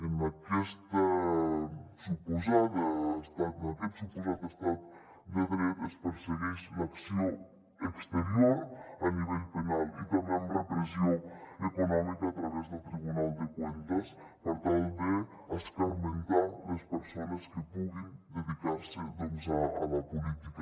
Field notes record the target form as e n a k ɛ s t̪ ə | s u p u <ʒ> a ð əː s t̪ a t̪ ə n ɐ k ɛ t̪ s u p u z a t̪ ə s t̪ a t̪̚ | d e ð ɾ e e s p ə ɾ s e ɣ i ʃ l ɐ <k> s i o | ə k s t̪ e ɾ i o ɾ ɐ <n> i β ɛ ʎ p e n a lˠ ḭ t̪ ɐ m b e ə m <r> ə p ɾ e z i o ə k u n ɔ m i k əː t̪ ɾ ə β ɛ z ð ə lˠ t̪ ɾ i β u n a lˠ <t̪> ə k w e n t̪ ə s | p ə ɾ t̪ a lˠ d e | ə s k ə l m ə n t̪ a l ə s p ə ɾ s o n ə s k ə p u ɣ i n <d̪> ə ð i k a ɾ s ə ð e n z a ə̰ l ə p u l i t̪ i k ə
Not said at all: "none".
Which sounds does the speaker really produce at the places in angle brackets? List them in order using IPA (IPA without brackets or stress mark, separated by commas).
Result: z, k, n, r, d̪, d̪